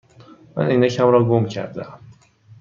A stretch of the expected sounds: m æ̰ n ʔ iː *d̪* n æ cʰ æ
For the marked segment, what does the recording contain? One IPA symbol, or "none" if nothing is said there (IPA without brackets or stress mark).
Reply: none